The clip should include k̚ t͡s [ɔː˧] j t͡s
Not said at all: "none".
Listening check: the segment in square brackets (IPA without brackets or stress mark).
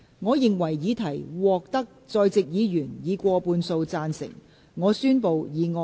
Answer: ɔː˧